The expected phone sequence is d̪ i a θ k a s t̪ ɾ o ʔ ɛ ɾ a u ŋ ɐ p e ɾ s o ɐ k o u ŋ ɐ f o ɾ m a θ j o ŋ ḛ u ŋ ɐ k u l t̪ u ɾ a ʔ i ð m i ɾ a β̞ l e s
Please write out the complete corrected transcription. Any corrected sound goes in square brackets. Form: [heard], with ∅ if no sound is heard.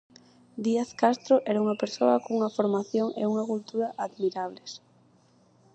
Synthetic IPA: d̪ i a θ k a s t̪ ɾ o ʔ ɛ ɾ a u ŋ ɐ p e ɾ s o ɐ k o u ŋ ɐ f o ɾ m a θ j o ŋ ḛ u ŋ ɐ k u l t̪ u ɾ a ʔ [a] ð m i ɾ a β̞ l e s

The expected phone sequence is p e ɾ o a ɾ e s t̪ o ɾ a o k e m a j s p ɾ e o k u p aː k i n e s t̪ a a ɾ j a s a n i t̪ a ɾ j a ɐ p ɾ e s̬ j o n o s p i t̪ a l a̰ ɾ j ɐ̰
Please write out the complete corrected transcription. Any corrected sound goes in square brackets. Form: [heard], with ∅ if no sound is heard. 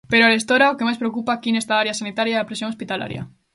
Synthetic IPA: p e ɾ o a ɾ e s t̪ o ɾ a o k e m a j s p ɾ e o k u p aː k i n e s t̪ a a ɾ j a s a n i t̪ a ɾ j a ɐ p ɾ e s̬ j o [ŋ] o s p i t̪ a l a̰ ɾ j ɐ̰

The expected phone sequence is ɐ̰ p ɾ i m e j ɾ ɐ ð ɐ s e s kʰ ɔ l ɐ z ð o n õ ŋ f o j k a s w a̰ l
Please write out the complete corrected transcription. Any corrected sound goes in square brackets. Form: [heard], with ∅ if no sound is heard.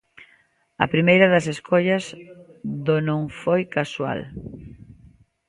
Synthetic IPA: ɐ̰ p ɾ i m e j ɾ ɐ ð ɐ s e s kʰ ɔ [ʎ] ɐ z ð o n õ ŋ f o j k a s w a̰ l

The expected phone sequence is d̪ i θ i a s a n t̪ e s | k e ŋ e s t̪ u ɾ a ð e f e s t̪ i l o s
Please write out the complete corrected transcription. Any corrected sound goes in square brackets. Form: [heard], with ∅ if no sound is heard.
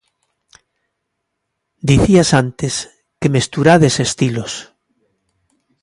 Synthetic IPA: d̪ i θ i a s a n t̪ e s | k e [m] e s t̪ u ɾ a ð e [s] e s t̪ i l o s

